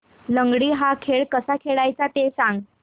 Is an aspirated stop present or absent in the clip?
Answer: present